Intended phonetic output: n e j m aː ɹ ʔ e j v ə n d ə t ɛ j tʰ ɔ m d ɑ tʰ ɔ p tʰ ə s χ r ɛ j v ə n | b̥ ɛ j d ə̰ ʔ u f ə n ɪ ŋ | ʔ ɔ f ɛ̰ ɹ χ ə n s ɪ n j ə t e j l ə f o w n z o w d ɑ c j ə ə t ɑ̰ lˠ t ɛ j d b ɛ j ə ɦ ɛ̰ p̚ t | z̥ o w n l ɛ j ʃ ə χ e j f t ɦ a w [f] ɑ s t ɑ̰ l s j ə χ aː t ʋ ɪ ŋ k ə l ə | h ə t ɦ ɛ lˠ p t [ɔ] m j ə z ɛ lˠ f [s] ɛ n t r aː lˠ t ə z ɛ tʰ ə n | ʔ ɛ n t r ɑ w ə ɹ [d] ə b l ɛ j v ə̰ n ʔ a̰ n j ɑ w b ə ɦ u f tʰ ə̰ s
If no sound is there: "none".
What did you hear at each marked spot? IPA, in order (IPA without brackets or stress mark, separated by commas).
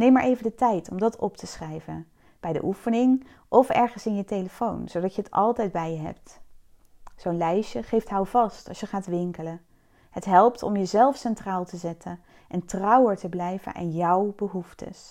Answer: v, ɔ, s, t